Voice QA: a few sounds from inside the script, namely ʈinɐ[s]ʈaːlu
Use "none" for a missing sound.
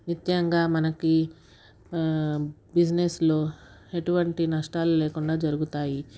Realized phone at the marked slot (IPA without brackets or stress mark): ʂ